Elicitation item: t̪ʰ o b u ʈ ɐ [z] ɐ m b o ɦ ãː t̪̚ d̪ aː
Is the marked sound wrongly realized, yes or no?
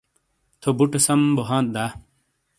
yes